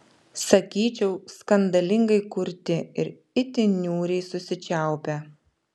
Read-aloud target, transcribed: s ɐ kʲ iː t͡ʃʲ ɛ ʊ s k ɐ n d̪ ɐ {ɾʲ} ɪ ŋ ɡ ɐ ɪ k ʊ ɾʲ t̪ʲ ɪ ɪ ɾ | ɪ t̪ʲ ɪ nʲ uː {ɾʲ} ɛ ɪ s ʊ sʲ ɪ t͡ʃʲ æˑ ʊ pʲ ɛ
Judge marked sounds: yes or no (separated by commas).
no, yes